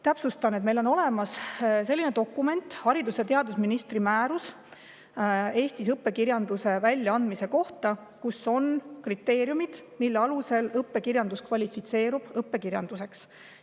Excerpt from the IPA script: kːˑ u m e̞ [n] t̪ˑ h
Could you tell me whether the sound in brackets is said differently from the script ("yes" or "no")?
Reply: no